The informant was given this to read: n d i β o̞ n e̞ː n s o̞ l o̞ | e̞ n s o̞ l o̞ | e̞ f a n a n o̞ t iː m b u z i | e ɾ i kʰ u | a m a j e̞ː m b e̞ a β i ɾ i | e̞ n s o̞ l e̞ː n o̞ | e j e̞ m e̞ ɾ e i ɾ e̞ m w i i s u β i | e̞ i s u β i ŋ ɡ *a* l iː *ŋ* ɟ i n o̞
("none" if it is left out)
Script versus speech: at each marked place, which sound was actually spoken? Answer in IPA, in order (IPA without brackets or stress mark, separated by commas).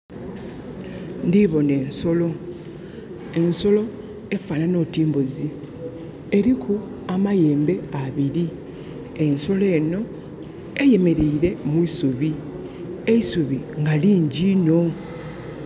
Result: a, ɲ